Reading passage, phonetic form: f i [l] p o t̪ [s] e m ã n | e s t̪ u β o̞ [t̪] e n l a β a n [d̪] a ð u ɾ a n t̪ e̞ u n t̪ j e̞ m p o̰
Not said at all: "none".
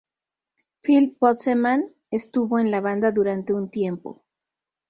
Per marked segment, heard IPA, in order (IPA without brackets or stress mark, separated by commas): l, s, none, d̪